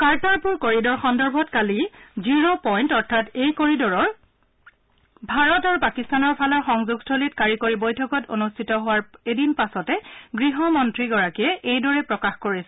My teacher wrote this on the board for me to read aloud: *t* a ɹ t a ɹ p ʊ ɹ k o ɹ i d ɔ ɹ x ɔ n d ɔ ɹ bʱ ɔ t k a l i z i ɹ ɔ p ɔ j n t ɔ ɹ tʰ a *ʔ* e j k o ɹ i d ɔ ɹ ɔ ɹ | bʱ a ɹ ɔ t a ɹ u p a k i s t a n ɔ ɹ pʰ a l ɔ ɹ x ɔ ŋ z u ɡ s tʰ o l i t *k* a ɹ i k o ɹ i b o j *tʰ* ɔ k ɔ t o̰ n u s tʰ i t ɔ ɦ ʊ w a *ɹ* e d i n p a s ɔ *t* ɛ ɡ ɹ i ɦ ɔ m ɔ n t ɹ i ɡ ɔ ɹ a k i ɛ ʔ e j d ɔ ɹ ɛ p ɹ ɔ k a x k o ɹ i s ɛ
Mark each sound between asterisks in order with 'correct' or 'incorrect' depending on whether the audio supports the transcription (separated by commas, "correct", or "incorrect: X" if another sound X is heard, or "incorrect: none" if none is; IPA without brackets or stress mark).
incorrect: k, incorrect: t, correct, correct, correct, correct